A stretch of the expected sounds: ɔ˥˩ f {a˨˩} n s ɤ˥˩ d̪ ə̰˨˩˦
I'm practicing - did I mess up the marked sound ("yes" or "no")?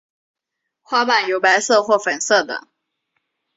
yes